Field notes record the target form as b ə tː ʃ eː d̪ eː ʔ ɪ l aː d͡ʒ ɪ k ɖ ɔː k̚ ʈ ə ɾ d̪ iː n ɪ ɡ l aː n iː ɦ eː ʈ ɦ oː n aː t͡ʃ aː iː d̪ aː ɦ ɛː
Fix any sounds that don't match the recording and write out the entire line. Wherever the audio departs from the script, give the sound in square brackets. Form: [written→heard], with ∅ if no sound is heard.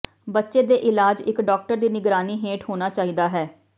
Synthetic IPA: b ə tː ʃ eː d̪ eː ʔ ɪ l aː d͡ʒ ɪ k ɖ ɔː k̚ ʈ ə ɾ d̪ iː n ɪ ɡ [l→ɾ] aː n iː ɦ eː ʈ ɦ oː n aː t͡ʃ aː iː d̪ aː ɦ ɛː